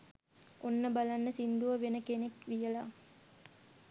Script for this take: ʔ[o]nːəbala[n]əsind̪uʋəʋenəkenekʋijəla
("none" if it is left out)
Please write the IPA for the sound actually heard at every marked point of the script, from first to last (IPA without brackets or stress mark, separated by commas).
o, nː